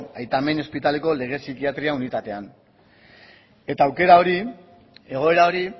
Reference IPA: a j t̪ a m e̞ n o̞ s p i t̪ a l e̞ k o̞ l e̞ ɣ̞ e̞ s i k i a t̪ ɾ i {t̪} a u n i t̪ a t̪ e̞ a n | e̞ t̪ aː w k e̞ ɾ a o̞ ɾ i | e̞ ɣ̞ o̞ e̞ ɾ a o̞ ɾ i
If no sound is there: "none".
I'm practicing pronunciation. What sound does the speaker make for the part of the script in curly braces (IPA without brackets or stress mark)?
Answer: none